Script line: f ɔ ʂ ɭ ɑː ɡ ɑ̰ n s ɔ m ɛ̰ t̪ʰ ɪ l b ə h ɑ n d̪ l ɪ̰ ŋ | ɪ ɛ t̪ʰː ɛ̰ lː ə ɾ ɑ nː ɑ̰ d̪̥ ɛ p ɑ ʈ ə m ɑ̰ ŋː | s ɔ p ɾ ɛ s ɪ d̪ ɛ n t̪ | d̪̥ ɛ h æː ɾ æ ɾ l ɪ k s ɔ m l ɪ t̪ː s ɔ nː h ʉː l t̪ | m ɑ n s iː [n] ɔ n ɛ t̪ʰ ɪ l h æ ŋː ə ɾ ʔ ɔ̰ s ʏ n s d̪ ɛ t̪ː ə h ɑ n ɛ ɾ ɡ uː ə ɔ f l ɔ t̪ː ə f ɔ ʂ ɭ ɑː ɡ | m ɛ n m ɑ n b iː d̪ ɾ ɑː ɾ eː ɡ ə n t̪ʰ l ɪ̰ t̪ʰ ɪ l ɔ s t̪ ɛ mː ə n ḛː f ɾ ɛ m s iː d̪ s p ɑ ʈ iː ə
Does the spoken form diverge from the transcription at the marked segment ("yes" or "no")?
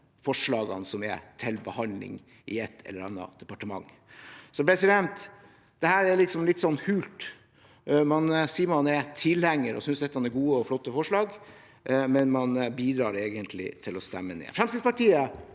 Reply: yes